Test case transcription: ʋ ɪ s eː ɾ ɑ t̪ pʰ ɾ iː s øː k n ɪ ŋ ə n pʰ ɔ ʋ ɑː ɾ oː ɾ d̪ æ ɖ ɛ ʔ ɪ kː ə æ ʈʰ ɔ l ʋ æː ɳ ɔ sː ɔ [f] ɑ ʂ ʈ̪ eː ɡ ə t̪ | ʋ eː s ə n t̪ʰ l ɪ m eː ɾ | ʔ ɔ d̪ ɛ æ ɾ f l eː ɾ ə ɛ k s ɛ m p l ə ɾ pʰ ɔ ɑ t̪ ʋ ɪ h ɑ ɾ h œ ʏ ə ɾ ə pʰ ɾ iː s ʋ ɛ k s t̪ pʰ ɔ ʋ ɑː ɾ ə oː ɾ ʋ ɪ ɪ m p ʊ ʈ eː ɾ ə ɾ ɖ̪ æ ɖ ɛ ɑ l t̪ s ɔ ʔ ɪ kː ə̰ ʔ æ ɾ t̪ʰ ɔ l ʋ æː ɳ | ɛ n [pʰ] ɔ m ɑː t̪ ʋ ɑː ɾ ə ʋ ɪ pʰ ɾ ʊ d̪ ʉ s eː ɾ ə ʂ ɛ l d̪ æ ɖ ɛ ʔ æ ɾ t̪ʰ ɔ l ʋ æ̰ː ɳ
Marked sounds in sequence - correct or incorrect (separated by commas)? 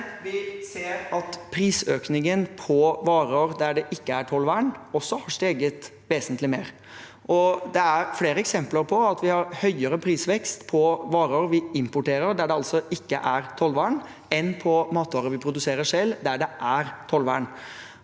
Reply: incorrect, correct